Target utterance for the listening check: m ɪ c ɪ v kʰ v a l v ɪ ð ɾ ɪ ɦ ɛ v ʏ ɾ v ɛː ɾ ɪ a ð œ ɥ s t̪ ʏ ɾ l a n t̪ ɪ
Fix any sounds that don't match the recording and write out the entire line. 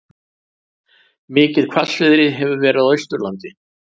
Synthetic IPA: m ɪː c ɪ ð kʰ v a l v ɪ ð ɾ ɪ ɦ ɛ v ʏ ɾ v ɛː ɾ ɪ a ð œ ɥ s t̪ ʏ ɾ l a n t̪ ɪ